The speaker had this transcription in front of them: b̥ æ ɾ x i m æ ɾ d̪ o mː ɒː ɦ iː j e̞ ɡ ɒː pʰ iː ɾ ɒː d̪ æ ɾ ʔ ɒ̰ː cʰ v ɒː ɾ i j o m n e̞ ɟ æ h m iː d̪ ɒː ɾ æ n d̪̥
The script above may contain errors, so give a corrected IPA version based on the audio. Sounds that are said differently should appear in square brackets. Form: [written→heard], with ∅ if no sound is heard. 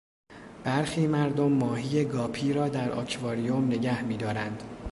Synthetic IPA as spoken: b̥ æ ɾ x [i→iː] m æ ɾ d̪ o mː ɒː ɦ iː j e̞ ɡ ɒː pʰ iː ɾ ɒː d̪ æ ɾ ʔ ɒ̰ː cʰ v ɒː ɾ i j o m n e̞ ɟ æ h m iː d̪ ɒː ɾ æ n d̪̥